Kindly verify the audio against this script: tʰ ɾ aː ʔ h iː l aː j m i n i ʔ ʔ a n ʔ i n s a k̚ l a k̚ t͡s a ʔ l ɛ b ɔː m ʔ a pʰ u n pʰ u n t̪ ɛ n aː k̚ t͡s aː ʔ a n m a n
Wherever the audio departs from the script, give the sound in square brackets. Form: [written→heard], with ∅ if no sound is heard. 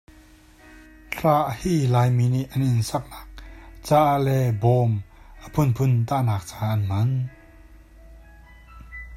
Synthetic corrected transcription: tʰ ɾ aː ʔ h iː l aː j m i n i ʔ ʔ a n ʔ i n s a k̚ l a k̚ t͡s a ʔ l ɛ b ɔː m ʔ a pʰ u n pʰ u n t̪ [ɛ→a] n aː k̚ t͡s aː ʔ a n m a n